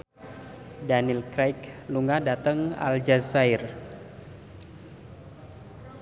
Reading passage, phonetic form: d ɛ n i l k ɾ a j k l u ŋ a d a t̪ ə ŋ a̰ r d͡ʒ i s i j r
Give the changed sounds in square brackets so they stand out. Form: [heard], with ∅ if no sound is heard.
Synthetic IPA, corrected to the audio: d [a] n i l k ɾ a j k l u ŋ a d a t̪ ə ŋ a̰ [l] d͡ʒ [a] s [a] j r